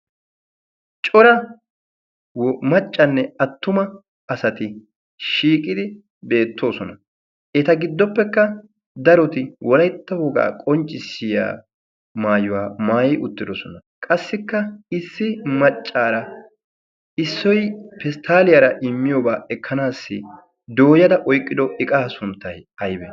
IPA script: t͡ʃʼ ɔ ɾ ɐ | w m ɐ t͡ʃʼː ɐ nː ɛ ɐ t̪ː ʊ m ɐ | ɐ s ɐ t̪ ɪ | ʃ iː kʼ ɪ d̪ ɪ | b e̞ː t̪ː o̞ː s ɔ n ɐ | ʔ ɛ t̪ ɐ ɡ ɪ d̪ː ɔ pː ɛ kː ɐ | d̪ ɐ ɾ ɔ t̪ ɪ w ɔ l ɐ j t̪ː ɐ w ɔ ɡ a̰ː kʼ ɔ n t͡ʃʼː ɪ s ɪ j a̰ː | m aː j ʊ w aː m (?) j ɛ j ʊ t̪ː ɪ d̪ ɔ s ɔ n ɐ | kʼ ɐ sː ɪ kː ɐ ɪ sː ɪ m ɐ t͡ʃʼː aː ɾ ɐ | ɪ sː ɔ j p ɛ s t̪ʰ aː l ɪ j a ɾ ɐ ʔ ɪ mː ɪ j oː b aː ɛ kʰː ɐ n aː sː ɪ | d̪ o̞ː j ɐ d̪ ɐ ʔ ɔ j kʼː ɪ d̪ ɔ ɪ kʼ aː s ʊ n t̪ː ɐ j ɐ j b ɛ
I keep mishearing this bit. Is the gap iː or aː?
aː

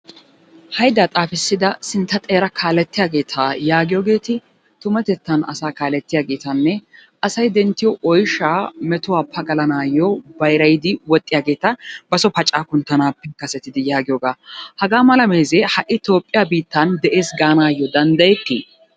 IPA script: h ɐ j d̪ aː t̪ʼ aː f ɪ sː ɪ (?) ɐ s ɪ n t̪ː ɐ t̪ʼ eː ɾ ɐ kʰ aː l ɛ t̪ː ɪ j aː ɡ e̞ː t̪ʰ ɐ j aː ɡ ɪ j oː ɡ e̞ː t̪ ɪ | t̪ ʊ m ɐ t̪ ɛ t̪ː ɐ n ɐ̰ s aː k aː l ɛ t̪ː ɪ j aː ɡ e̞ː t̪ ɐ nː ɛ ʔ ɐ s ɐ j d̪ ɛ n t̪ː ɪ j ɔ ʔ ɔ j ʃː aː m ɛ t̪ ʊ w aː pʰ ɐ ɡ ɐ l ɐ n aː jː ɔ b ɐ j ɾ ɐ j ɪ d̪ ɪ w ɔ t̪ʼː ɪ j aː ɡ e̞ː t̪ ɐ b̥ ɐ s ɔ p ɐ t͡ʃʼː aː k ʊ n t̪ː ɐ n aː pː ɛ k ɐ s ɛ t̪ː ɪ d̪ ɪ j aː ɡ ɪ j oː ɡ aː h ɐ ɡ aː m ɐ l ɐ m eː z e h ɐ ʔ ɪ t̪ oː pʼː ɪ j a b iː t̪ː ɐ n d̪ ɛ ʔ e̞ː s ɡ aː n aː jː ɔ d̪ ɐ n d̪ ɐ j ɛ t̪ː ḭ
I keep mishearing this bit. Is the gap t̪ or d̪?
d̪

